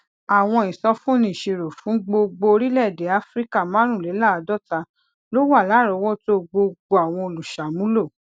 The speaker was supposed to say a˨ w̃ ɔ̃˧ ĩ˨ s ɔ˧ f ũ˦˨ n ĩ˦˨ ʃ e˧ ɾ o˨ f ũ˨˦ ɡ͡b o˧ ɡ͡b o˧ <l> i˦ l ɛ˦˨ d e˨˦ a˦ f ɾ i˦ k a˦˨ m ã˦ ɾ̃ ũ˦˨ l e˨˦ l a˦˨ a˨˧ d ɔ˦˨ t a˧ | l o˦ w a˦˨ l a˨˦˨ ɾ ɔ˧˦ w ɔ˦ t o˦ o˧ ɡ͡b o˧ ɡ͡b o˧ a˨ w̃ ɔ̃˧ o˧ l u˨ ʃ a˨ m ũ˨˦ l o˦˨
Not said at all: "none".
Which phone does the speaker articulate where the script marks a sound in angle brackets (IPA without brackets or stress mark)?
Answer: ɾ